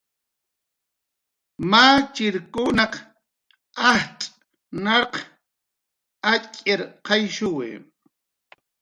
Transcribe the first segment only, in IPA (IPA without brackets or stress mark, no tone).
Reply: m